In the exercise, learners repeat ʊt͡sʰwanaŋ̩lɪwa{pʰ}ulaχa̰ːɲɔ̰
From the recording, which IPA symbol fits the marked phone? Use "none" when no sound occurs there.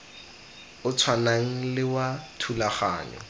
tʰ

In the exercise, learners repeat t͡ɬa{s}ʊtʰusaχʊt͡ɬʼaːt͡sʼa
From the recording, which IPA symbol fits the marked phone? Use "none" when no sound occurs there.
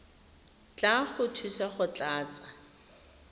χ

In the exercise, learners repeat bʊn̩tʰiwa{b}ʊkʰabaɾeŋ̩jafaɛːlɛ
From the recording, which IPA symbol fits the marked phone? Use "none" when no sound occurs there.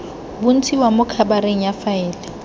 m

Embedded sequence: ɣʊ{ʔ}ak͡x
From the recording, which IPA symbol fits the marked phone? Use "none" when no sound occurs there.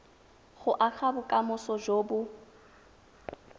ʔ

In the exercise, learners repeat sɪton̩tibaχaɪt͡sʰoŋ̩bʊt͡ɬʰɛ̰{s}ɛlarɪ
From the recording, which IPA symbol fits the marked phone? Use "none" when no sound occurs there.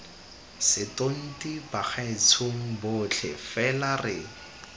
f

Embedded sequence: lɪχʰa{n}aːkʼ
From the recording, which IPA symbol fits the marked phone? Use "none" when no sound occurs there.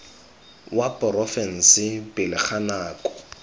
n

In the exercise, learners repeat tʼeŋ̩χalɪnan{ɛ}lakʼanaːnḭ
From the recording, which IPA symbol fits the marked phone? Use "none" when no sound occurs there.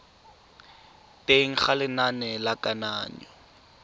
ɛ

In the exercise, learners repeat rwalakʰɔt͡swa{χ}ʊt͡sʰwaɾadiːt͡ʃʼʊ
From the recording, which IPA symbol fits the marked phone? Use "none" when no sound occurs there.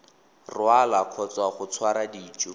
χ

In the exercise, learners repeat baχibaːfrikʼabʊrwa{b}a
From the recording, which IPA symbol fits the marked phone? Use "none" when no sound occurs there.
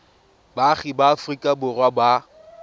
b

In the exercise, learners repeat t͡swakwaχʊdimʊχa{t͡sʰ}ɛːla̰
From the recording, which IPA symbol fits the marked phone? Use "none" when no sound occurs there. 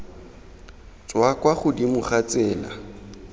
t͡s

